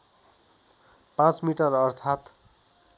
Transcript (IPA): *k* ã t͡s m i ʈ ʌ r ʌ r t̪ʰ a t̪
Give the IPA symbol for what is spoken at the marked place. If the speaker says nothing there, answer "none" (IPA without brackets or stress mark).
p